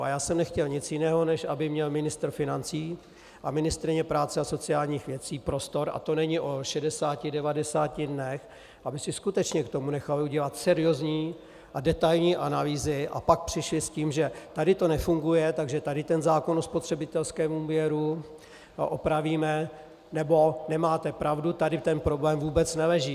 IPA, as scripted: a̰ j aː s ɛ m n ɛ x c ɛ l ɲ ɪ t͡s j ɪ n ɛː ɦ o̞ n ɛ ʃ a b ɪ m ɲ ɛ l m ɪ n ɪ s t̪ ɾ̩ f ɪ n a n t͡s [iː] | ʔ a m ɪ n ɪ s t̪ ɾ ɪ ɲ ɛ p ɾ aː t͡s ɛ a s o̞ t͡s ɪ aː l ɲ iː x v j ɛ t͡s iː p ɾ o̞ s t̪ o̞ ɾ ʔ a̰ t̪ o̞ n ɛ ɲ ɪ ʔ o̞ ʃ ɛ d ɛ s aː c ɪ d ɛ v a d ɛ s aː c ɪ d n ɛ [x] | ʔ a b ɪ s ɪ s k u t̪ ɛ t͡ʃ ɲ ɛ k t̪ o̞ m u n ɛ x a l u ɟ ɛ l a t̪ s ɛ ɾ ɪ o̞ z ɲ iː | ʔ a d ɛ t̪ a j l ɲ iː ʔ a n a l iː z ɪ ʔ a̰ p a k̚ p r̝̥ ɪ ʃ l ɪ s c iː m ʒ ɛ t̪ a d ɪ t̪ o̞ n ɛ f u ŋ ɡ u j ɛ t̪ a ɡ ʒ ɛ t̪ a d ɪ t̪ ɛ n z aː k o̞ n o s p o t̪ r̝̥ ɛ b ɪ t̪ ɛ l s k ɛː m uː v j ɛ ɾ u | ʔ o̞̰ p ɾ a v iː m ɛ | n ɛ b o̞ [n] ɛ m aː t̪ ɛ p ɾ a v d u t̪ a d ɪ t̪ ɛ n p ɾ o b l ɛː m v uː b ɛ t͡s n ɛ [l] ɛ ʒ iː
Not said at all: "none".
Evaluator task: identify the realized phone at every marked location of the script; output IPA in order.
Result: iː, x, n, l

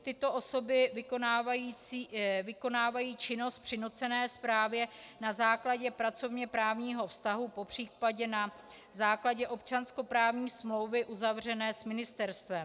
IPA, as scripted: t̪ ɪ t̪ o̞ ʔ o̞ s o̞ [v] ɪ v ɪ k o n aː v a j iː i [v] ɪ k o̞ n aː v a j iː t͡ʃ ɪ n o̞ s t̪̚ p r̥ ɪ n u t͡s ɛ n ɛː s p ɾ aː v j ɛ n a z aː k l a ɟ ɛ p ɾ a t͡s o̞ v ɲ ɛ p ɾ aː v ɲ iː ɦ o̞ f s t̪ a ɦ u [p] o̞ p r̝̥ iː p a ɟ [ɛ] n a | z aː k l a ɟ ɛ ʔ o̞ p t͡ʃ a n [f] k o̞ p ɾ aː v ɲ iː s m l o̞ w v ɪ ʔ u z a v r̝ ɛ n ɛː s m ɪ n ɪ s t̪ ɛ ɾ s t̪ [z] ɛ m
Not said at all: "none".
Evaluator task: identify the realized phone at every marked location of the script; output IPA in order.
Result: b, v, p, ɛ, s, v

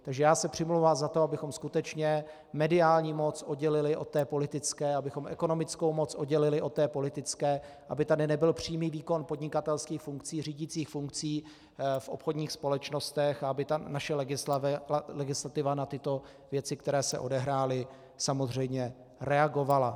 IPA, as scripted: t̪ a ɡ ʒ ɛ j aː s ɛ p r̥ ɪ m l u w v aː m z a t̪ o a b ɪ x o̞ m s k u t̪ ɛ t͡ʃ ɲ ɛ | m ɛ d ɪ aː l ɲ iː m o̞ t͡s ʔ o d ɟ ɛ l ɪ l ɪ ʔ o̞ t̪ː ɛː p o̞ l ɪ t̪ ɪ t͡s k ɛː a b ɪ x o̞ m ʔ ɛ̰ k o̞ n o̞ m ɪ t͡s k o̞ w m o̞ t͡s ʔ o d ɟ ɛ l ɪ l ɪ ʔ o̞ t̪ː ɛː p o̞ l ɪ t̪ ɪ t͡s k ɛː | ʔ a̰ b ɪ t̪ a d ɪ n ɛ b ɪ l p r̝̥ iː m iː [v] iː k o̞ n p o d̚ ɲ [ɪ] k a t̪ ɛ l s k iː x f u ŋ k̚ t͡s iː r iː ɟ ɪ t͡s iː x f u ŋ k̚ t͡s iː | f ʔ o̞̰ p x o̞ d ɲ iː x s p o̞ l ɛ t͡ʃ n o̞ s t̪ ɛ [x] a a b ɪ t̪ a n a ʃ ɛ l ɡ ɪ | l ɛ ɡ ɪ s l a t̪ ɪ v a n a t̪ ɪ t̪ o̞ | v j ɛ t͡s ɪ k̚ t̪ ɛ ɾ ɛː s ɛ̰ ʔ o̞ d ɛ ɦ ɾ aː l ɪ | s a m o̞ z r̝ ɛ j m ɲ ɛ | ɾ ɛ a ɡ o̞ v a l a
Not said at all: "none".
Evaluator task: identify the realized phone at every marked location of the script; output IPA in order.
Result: v, ɪ, x

